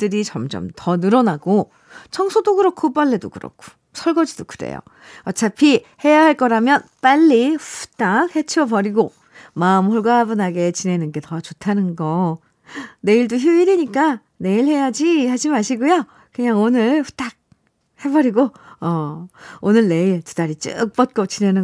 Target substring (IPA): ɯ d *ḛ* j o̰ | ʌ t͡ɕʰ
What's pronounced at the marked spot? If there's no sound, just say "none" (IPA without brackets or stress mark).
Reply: ḛ